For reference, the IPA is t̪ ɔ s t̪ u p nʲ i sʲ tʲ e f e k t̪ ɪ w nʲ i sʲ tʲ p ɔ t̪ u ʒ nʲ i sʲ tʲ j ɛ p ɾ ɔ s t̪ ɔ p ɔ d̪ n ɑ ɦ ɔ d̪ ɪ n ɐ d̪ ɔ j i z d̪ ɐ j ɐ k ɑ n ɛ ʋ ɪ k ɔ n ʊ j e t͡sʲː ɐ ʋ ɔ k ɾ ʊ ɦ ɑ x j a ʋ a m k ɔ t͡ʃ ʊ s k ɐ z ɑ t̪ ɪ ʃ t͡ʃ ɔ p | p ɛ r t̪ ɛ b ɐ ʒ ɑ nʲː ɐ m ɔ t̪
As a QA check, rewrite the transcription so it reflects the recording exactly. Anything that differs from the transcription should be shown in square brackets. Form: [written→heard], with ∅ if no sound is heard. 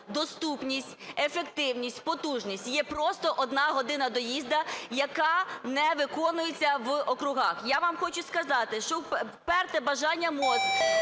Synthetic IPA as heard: [t̪→d̪] ɔ s t̪ u p nʲ i sʲ tʲ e f e k t̪ ɪ w nʲ i sʲ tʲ p ɔ t̪ u ʒ nʲ i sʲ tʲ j ɛ p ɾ ɔ s t̪ ɔ [p→ʔ] ɔ d̪ n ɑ ɦ ɔ d̪ ɪ n ɐ d̪ ɔ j i z d̪ ɐ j ɐ k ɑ n ɛ ʋ ɪ k ɔ n ʊ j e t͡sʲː ɐ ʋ ɔ k ɾ ʊ ɦ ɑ x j a ʋ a m [k→x] ɔ t͡ʃ ʊ s k ɐ z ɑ t̪ ɪ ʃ t͡ʃ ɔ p | p ɛ r t̪ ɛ b ɐ ʒ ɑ nʲː ɐ m ɔ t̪